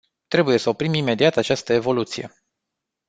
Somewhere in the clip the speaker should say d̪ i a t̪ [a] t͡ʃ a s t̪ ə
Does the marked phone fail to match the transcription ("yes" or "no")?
no